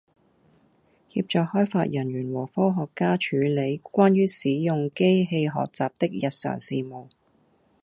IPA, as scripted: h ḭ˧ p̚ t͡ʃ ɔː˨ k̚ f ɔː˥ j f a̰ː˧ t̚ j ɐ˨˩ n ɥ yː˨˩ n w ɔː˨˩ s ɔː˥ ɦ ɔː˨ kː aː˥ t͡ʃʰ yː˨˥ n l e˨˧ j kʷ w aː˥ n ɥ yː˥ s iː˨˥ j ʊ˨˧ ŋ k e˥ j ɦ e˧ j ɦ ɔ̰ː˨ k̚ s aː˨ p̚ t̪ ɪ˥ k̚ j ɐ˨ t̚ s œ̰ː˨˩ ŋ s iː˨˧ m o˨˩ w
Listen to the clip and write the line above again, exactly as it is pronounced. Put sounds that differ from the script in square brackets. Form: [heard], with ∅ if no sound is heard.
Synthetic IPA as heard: h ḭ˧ p̚ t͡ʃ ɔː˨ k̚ [h] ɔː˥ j f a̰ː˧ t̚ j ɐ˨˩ n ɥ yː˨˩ n w ɔː˨˩ [f] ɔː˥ ɦ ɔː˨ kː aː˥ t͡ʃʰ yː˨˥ [∅] l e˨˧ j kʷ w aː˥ n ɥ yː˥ s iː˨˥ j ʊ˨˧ ŋ k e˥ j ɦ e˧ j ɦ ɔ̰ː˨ k̚ [t͡s] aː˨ p̚ t̪ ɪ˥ k̚ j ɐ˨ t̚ s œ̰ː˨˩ ŋ s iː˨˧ m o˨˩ w

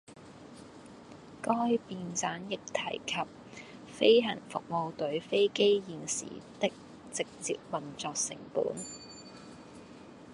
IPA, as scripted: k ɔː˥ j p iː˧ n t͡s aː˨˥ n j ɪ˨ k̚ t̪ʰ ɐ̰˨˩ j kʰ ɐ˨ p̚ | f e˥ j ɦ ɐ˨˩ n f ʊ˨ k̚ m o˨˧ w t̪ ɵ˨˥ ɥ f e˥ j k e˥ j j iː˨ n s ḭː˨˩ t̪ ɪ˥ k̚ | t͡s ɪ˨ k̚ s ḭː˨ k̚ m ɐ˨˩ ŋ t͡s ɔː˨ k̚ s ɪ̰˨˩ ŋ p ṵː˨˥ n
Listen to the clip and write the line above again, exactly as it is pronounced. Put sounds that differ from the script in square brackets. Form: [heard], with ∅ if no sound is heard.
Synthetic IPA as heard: k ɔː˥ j p iː˧ n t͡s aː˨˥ n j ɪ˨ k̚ t̪ʰ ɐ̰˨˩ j kʰ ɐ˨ p̚ | f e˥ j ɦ ɐ˨˩ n f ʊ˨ k̚ m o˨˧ w t̪ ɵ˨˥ ɥ f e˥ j k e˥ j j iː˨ n s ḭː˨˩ t̪ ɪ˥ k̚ | t͡s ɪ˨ k̚ [t͡s] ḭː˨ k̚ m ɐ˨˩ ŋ t͡s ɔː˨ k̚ s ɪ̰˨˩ ŋ p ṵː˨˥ n

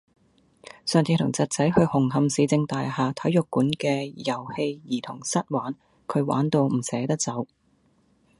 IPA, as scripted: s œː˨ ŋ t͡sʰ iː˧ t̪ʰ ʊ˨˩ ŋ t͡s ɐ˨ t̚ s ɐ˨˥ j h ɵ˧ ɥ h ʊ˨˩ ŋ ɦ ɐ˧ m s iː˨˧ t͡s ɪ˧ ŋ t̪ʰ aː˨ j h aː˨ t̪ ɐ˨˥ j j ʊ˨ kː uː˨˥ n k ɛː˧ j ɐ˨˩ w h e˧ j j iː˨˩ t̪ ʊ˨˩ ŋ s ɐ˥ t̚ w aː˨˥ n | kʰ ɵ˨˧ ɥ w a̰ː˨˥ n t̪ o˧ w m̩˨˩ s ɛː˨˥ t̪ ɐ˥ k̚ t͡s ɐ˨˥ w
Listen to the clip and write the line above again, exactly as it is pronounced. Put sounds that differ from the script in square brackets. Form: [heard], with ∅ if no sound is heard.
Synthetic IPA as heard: s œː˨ ŋ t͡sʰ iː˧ t̪ʰ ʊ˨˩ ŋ t͡s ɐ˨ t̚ [t͡s] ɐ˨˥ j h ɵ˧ ɥ h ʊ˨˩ ŋ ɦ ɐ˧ m s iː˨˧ t͡s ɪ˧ ŋ [t̪] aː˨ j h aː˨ [t̪ʰ] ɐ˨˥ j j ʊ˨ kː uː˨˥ n k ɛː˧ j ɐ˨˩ w h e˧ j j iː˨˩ [t̪ʰ] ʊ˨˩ ŋ s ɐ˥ t̚ w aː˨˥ n | kʰ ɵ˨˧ ɥ w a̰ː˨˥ n t̪ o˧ w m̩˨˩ s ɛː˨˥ t̪ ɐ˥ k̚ t͡s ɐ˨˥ w

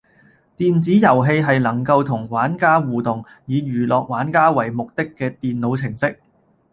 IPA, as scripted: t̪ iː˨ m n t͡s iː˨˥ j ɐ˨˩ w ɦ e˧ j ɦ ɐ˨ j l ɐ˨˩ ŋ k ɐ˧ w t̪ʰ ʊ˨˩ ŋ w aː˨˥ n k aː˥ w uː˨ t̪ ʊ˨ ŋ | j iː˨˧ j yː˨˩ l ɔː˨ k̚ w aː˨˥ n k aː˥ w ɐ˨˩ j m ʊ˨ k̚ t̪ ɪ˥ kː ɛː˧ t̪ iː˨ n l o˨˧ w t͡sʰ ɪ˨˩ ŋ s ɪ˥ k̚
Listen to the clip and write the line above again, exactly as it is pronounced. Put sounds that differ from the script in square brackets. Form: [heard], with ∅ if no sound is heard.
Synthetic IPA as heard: t̪ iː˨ [∅] n t͡s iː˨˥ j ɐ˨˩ w ɦ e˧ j ɦ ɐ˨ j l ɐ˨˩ ŋ k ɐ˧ w t̪ʰ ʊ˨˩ ŋ w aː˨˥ n k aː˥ w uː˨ t̪ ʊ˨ ŋ | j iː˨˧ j yː˨˩ l ɔː˨ k̚ w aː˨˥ n k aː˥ w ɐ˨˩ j m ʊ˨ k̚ t̪ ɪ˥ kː ɛː˧ t̪ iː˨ n l o˨˧ w t͡sʰ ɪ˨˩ ŋ s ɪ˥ k̚

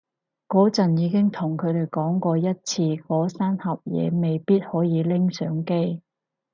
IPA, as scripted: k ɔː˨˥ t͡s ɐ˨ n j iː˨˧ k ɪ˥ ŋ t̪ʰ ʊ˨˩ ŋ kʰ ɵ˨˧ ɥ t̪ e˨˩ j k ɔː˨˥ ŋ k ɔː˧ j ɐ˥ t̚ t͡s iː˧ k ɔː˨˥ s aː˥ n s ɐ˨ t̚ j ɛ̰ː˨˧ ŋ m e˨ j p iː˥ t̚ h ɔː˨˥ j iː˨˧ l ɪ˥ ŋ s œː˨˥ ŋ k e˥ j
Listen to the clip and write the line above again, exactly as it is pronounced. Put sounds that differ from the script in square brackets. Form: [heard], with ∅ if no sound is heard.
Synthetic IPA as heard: k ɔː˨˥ t͡s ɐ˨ n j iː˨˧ k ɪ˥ ŋ t̪ʰ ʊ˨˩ ŋ kʰ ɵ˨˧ ɥ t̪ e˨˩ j k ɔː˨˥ ŋ k ɔː˧ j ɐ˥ t̚ [t͡sʰ] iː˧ k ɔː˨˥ s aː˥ n [h] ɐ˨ [p̚] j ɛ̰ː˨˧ [∅] m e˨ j p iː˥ t̚ h ɔː˨˥ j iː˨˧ l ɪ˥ ŋ s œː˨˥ ŋ k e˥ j

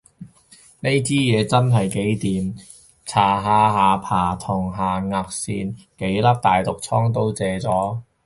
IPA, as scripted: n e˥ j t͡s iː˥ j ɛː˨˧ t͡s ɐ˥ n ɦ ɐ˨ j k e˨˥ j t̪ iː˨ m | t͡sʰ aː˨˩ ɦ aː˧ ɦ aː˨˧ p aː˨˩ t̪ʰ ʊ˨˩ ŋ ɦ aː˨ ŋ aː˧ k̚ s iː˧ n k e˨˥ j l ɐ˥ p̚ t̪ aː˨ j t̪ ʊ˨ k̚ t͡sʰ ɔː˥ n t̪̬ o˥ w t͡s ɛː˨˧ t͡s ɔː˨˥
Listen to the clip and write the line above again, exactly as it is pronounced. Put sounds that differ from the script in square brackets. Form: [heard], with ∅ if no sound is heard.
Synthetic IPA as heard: n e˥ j t͡s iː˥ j ɛː˨˧ t͡s ɐ˥ n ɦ ɐ˨ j k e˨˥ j t̪ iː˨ m | t͡sʰ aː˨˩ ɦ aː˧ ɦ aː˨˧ [pʰ] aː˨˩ t̪ʰ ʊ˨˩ ŋ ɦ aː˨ ŋ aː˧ k̚ s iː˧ n k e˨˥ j l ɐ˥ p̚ t̪ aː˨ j t̪ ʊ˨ k̚ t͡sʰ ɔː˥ [ŋ] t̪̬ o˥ w t͡s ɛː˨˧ t͡s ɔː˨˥

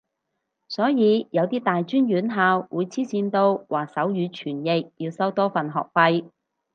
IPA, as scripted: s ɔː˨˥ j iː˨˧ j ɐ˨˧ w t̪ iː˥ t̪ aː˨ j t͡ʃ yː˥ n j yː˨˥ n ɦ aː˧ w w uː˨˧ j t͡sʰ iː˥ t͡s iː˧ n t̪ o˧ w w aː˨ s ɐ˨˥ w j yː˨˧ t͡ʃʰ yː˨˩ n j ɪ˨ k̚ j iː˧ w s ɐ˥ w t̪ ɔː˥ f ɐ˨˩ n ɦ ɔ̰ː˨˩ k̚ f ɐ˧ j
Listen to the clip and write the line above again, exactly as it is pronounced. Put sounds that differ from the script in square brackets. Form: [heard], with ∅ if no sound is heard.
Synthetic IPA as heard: s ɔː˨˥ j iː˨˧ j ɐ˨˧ w t̪ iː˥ t̪ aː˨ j t͡ʃ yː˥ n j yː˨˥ n ɦ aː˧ w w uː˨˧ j t͡sʰ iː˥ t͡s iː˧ n t̪ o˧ w w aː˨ s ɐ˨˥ w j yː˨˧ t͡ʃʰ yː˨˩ n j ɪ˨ k̚ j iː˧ w s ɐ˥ w t̪ ɔː˥ f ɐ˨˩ n ɦ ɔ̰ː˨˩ k̚ f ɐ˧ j

